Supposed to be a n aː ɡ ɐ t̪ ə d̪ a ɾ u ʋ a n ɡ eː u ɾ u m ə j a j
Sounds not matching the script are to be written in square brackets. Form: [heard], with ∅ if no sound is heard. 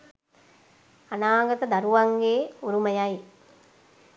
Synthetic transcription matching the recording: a n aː ɡ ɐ t̪ ə d̪ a ɾ u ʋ a [ŋ] ɡ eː u ɾ u m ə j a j